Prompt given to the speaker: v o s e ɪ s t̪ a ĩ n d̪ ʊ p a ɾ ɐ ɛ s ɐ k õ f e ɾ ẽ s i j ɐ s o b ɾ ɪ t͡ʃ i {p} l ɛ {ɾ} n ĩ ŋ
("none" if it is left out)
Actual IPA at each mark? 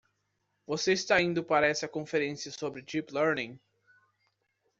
p, ɾ

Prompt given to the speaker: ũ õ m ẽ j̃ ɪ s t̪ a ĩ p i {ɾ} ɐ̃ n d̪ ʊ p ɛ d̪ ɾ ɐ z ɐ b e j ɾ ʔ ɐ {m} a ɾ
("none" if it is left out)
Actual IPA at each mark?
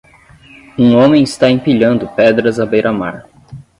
ʎ, m

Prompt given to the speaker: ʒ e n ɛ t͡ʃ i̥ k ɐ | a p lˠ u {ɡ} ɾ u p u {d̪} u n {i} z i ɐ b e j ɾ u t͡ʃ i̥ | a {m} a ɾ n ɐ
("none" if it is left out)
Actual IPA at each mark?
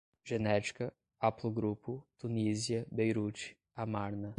ɡ, t̪, i, m

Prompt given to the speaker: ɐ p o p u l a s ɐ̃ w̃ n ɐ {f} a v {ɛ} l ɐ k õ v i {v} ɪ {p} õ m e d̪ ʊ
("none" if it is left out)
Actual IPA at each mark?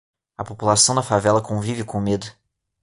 f, ɛ, v, k

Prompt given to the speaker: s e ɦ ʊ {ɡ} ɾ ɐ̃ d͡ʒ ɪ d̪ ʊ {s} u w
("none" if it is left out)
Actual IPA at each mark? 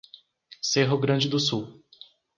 ɡ, s

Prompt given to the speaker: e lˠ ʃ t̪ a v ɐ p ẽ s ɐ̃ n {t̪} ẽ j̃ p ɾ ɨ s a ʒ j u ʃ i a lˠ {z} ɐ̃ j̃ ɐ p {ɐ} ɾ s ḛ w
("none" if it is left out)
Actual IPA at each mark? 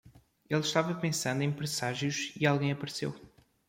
d̪, ɣ, ɐ

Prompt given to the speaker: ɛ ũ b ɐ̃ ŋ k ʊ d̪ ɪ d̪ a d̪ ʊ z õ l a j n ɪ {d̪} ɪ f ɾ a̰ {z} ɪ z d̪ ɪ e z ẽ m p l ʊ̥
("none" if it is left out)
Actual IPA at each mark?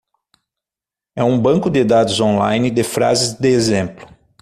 d̪, z

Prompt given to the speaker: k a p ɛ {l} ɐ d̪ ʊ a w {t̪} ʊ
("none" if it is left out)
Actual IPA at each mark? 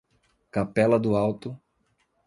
l, t̪

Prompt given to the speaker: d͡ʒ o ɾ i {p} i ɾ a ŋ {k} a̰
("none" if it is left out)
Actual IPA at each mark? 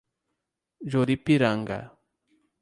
p, ɡ

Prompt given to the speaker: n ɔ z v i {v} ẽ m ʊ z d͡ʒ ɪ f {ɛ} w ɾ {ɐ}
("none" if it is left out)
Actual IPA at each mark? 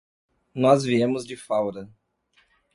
none, a, ɐ

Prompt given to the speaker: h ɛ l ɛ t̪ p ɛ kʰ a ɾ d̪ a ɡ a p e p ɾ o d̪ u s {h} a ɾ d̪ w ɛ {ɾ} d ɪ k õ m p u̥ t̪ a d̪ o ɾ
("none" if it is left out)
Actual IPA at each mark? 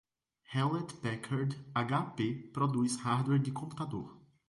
h, ɾ

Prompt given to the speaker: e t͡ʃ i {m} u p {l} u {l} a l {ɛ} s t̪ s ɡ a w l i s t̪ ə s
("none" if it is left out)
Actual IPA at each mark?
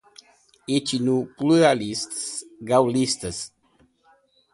n, l, ɾ, i

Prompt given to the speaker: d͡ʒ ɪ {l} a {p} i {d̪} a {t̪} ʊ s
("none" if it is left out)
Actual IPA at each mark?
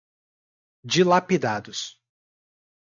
l, p, d̪, d̪

